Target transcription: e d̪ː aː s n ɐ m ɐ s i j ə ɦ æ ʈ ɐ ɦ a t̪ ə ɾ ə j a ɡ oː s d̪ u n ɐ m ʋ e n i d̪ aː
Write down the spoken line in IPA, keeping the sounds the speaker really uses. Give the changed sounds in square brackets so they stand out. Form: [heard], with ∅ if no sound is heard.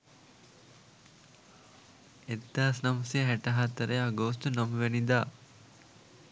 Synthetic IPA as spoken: e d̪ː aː s n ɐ m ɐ s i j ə ɦ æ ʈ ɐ ɦ a t̪ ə ɾ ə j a ɡ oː s [t̪] u n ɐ m ʋ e n i d̪ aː